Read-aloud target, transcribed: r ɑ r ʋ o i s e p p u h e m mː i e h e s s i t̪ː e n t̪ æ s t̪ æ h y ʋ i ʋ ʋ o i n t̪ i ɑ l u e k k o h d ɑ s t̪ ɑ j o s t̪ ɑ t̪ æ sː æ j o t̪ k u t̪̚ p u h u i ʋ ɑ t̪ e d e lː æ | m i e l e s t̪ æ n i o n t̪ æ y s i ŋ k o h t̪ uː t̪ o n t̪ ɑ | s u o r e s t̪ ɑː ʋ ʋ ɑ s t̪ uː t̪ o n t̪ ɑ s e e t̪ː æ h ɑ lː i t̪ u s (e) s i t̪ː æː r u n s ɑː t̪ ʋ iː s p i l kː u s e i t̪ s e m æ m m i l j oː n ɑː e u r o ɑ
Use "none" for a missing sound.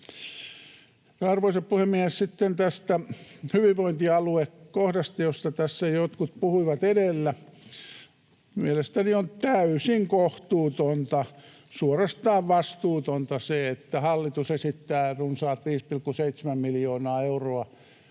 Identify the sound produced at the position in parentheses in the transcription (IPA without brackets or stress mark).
e